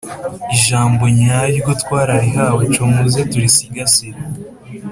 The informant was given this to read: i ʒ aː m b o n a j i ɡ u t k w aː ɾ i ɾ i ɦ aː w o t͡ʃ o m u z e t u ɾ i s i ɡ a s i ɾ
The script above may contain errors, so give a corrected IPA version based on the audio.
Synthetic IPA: i ʒ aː m b o ɲ a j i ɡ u t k w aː ɾ a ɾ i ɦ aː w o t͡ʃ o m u z e t u ɾ i s i ɡ a s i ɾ